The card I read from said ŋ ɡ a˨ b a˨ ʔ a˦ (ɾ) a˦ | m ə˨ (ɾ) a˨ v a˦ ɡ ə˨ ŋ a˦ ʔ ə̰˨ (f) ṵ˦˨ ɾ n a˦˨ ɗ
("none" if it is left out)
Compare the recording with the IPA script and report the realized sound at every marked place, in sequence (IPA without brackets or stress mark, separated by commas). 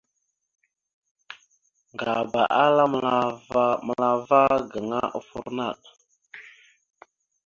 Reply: l, l, f